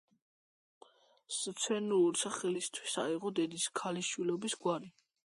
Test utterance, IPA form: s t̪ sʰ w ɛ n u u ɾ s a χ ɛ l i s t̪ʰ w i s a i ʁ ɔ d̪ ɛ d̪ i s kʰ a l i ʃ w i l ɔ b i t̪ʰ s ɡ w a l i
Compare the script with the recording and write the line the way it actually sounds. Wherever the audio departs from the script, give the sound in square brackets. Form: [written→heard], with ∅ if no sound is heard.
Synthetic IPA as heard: s t̪ sʰ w ɛ n u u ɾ s a χ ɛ l i s t̪ʰ w i s a i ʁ ɔ d̪ ɛ d̪ i s kʰ a l i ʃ w i l ɔ b i [t̪ʰ→∅] s ɡ w a [l→ɾ] i